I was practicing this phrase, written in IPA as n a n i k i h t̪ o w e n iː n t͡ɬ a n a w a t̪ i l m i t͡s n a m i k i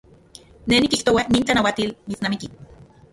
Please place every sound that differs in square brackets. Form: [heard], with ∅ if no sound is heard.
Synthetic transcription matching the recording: n [e] n i k i h t̪ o w [a] n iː n t͡ɬ a n a w a t̪ i l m i t͡s n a m i k i

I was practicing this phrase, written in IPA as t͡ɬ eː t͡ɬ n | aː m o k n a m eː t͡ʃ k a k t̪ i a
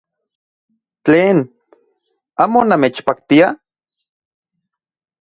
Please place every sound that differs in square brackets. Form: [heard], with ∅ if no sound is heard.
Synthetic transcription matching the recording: t͡ɬ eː [∅] n | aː m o [∅] n a m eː t͡ʃ [p] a k t̪ i a

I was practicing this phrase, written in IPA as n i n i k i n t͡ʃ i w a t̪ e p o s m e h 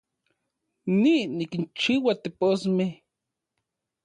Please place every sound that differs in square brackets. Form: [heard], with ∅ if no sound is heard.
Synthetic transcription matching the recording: n i n i k i n t͡ʃ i w a t̪ e p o s m e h

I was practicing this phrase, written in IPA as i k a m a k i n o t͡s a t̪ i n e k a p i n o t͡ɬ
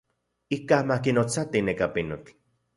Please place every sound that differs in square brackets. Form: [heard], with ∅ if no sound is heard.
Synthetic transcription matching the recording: i k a m a k i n o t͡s a t̪ i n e k a p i n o t͡ɬ

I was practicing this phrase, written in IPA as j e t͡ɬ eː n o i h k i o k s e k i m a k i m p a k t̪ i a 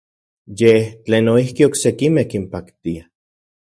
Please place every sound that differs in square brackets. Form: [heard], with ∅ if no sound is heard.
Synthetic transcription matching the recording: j e t͡ɬ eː n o i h k i o k s e k i m [e] k i m p a k t̪ i a

